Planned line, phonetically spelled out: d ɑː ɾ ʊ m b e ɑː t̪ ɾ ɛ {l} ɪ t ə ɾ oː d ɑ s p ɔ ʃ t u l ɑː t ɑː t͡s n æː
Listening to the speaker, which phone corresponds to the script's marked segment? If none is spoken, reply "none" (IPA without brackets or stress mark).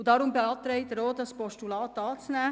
none